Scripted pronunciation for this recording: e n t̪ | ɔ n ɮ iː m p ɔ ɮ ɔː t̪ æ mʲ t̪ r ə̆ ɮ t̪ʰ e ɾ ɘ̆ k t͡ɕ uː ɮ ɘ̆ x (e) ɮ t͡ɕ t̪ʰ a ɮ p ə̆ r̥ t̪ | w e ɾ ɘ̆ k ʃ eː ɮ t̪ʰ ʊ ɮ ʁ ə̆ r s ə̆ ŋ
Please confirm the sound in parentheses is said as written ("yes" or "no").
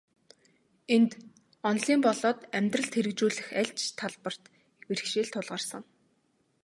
no